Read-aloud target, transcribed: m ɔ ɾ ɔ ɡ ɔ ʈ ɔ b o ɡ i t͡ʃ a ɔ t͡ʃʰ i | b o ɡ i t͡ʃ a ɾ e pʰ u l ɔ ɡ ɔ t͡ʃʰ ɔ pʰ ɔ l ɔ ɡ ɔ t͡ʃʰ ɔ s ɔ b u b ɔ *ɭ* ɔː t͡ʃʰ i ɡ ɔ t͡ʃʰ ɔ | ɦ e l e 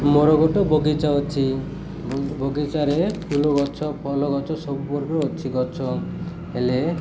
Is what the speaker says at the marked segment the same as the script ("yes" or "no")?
no